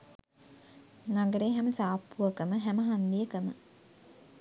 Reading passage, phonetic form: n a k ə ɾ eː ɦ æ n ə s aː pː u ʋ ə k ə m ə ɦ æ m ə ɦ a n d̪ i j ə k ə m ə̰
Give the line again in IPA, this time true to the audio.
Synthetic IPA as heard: n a ɡ ə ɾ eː ɦ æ m ə s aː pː u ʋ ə k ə m ə ɦ æ m ə ɦ a n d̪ i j ə k ə m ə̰